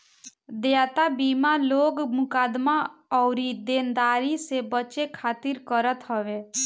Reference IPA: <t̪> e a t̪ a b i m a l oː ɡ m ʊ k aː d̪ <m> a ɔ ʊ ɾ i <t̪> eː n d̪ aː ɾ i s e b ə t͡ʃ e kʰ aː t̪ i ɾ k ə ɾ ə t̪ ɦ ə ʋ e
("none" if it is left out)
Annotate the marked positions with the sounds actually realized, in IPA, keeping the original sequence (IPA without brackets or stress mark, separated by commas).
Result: d̪, m, d̪